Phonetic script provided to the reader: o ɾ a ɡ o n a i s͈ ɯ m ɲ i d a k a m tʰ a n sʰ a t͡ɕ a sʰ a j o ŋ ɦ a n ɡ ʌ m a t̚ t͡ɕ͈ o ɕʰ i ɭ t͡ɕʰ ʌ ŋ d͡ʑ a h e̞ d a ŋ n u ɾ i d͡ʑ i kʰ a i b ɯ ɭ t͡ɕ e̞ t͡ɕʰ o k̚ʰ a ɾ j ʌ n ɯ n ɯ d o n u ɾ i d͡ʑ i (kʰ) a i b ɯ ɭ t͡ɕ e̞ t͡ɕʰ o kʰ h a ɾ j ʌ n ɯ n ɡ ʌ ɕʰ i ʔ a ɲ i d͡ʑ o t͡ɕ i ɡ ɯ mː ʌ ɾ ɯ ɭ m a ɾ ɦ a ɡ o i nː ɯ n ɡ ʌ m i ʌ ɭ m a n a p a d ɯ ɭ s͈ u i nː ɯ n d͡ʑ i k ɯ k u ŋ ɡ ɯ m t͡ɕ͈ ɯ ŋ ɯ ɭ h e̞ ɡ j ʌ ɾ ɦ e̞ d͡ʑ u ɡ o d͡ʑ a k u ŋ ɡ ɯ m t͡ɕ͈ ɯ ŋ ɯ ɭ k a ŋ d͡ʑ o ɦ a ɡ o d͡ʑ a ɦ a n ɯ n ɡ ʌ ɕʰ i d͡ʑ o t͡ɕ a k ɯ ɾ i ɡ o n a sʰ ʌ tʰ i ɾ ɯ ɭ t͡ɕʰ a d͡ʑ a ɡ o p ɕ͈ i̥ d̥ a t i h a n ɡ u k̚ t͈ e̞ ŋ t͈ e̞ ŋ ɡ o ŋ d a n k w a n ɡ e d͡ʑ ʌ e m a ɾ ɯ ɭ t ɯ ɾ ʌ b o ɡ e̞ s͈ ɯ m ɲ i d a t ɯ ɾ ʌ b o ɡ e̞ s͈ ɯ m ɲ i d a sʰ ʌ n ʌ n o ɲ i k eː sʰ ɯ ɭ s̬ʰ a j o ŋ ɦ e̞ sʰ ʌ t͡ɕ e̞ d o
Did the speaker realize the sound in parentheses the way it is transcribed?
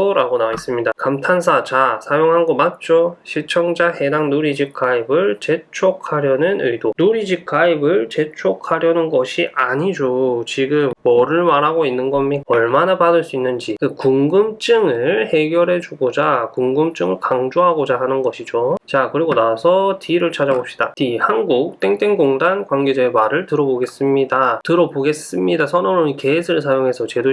yes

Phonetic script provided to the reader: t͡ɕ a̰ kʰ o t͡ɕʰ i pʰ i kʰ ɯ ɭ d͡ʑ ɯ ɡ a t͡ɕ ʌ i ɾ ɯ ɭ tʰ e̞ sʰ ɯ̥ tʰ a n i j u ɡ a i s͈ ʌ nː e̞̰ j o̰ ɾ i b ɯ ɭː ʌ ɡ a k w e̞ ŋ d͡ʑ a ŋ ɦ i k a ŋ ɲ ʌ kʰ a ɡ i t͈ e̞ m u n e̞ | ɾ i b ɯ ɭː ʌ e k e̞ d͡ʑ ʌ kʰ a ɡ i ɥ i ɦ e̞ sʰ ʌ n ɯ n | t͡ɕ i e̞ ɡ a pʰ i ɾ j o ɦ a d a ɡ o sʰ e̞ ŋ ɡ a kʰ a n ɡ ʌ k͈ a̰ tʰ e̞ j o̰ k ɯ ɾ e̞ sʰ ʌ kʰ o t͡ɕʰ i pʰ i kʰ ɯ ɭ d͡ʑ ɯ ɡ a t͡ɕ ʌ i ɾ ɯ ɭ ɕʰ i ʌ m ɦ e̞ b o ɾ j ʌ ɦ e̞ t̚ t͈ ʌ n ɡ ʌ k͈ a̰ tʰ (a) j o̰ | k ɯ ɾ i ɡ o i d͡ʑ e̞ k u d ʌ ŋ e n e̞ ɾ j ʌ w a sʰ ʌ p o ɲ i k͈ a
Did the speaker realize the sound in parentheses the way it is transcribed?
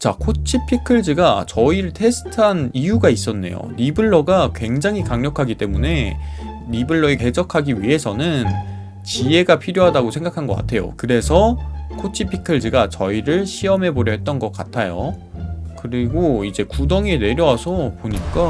yes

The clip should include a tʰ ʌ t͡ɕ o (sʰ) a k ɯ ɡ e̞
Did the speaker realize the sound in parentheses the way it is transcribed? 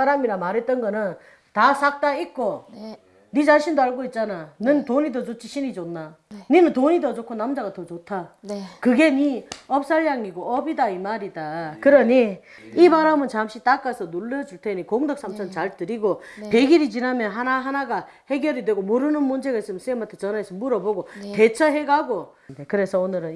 no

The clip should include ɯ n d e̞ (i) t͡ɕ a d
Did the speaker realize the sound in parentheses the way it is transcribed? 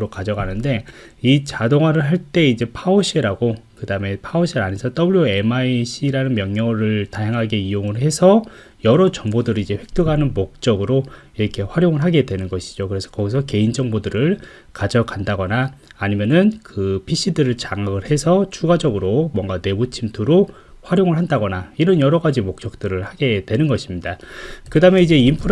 yes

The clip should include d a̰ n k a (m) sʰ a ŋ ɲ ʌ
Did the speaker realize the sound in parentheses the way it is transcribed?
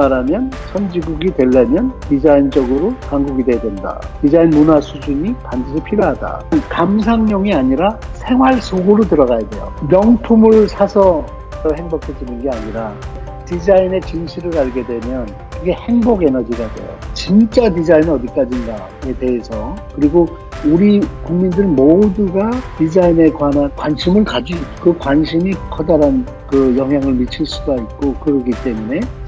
yes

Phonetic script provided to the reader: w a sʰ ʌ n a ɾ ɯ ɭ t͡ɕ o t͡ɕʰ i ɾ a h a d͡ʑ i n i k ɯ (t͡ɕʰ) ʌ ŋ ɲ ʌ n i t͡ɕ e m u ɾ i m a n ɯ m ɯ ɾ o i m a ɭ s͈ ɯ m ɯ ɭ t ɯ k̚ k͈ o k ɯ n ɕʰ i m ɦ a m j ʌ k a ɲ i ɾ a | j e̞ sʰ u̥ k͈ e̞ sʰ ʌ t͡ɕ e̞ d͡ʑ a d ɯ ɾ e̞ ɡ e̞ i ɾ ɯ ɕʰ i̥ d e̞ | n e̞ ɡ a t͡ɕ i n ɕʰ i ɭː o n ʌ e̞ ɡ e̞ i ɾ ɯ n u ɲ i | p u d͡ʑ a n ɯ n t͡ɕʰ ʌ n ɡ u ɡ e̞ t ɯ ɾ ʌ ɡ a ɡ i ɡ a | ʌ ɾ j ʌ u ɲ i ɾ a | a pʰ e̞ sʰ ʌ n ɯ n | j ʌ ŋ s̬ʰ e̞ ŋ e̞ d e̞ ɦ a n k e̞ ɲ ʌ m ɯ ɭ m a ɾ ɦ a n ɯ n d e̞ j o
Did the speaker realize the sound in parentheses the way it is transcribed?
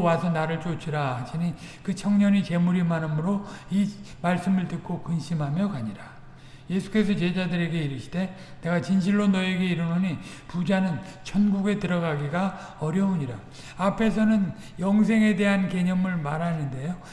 yes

